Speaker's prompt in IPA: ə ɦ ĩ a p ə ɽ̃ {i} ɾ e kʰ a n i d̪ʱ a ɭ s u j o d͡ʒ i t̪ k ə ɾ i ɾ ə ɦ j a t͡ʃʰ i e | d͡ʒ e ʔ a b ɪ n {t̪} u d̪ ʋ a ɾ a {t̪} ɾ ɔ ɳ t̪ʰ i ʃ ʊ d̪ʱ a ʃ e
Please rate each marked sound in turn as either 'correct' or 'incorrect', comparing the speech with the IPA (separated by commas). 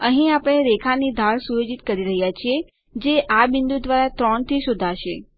incorrect, incorrect, correct